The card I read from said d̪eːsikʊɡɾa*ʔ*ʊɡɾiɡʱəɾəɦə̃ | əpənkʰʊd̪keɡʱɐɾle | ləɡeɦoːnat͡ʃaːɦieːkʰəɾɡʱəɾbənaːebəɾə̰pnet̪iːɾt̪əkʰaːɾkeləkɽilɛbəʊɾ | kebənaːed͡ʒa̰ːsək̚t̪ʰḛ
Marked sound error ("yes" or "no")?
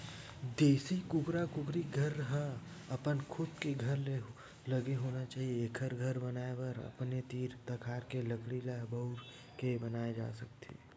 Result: yes